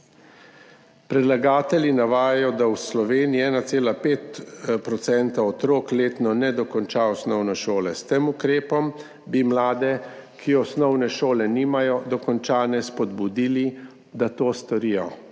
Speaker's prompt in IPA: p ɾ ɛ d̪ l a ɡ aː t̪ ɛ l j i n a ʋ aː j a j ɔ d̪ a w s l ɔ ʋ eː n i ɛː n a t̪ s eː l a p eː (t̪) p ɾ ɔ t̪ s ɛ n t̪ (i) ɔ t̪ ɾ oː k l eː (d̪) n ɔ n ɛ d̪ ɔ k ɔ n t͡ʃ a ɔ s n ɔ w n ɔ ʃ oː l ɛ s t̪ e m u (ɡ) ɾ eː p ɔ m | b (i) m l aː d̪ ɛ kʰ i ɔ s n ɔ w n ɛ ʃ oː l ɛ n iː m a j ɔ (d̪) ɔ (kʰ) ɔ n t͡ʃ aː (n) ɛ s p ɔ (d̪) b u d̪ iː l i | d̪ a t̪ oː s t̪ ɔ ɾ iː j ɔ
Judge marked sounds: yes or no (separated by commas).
yes, no, no, no, yes, yes, no, yes, yes